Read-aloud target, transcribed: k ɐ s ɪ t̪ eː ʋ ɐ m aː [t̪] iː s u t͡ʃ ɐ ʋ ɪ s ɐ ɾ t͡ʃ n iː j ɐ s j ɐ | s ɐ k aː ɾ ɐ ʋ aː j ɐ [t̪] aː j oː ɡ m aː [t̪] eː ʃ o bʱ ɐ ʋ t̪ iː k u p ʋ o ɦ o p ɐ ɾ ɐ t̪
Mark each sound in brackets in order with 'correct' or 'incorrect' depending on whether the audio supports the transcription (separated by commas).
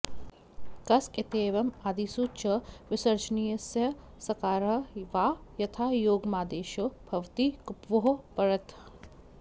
incorrect, incorrect, incorrect